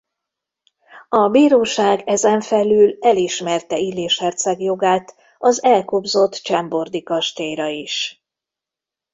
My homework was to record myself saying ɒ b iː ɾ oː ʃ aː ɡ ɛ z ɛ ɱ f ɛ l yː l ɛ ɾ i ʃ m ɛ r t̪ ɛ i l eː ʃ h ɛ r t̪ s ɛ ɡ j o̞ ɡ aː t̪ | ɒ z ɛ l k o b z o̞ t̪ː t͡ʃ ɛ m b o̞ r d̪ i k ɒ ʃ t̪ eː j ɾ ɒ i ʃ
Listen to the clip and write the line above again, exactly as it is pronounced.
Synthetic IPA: ɒ b iː ɾ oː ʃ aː ɡ ɛ z ɛ ɱ f ɛ l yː l ɛ l i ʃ m ɛ r t̪ ɛ i l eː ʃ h ɛ r t̪ s ɛ ɡ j o̞ ɡ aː t̪ | ɒ z ɛ l k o b z o̞ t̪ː t͡ʃ ɛ m b o̞ r d̪ i k ɒ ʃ t̪ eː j ɾ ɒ i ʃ